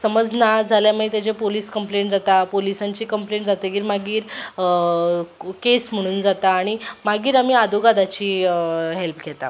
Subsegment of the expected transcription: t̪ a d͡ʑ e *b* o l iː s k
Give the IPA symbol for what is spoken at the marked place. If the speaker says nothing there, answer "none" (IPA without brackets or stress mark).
p